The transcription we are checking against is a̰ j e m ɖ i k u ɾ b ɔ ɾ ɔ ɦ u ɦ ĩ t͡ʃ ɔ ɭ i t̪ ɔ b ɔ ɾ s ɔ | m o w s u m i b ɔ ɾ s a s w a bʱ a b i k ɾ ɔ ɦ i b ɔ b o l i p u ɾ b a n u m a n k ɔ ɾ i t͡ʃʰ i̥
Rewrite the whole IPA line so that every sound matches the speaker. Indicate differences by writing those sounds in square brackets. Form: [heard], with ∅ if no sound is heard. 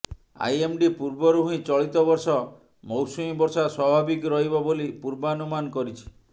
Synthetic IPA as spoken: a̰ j e m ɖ i [p] u ɾ b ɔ ɾ [u] ɦ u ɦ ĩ t͡ʃ ɔ ɭ i t̪ ɔ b ɔ ɾ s ɔ | m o w s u m i b ɔ ɾ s a s w a bʱ a b i k ɾ ɔ ɦ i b ɔ b o l i p u ɾ b a n u m a n k ɔ ɾ i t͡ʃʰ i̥